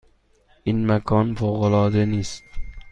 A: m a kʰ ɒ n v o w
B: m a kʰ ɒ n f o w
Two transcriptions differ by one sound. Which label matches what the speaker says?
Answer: B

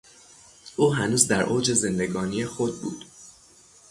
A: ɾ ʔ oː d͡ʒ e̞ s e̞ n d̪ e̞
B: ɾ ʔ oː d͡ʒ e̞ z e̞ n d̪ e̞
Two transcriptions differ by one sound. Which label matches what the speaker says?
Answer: B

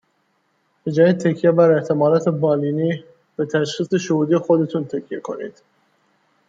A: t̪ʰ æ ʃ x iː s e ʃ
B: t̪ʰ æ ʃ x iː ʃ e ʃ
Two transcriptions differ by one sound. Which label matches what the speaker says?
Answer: A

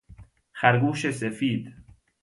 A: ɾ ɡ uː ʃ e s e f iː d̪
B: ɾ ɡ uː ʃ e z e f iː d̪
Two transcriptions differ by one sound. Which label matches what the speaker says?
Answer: A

